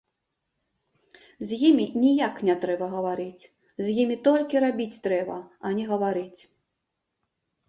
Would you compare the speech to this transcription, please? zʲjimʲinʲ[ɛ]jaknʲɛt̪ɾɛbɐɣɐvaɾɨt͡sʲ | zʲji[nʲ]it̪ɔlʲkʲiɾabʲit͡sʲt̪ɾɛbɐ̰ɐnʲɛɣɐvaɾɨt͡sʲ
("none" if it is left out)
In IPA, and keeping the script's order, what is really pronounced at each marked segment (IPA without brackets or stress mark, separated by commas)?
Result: i, mʲ